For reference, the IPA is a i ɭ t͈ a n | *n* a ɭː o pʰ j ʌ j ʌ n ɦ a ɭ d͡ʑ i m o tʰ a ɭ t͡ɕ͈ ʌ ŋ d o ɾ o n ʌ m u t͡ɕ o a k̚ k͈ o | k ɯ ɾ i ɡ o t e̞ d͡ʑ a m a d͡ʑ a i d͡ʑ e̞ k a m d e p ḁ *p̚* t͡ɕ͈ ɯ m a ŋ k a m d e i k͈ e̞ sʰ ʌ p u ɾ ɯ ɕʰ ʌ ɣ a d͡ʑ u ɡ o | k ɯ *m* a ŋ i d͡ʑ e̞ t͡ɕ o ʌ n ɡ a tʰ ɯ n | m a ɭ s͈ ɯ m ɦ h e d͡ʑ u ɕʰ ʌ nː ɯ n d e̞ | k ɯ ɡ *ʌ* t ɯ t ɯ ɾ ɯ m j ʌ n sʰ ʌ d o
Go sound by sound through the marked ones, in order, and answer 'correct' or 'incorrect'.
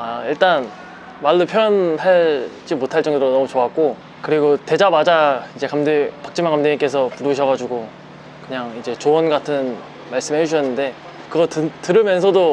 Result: incorrect, incorrect, incorrect, correct

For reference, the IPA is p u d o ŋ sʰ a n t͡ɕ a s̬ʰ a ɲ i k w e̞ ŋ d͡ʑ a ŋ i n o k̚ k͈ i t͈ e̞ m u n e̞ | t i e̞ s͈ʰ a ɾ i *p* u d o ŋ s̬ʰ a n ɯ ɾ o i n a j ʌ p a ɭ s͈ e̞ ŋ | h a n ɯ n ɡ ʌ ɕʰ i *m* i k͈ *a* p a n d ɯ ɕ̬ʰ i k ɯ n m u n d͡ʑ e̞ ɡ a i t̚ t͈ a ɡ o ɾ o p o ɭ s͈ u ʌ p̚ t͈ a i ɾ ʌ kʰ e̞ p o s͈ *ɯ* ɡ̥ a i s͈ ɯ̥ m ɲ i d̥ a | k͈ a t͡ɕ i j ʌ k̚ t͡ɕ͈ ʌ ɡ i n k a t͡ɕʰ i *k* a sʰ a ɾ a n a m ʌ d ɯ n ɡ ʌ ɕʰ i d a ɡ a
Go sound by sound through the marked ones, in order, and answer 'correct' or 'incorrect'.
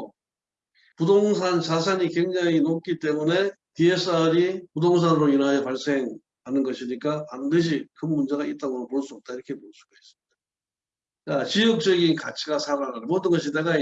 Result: correct, incorrect, correct, incorrect, incorrect

